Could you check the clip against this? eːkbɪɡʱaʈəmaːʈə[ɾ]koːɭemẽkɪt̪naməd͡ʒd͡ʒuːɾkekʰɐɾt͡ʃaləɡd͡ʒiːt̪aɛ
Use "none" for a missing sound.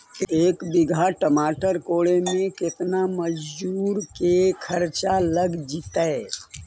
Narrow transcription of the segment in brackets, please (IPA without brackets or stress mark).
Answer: ɾ